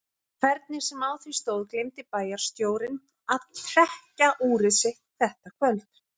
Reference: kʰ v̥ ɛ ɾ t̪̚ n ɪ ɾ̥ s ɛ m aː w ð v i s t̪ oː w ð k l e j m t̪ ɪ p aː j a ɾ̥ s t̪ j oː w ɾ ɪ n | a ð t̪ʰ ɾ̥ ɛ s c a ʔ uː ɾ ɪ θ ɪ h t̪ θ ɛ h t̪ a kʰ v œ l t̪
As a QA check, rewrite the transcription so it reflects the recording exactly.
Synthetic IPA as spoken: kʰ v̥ ɛ ɾ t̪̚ n ɪ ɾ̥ s ɛ m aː w θ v i s t̪ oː w ð k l e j m t̪ ɪ p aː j a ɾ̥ s t̪ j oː w ɾ ɪ n | a ð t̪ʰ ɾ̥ ɛ h c a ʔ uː ɾ ɪ s ɪ h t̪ θ ɛ h t̪ a kʰ v œ l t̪